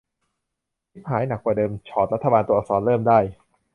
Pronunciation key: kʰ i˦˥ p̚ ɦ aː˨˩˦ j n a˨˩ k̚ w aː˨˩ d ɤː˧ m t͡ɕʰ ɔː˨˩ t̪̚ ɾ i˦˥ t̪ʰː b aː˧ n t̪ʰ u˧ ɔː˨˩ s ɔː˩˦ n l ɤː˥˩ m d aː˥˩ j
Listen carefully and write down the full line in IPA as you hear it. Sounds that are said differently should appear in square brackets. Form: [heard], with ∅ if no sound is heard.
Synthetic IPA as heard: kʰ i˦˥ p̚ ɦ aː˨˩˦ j n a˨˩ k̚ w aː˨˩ d ɤː˧ m t͡ɕʰ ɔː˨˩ t̪̚ ɾ [a˦˥] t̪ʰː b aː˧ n [t̪] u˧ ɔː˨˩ s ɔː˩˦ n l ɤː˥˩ m d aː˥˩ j